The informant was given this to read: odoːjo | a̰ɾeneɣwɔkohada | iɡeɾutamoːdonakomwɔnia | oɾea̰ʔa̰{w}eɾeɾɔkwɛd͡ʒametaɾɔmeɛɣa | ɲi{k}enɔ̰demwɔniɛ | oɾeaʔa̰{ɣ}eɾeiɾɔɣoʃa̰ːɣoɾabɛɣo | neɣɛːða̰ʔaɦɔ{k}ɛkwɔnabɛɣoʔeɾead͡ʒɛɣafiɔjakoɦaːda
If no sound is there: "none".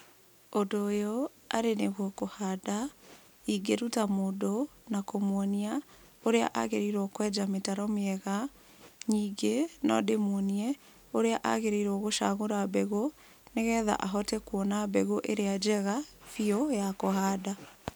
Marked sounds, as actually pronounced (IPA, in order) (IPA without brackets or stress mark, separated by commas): ɣ, ɡ, ɣ, t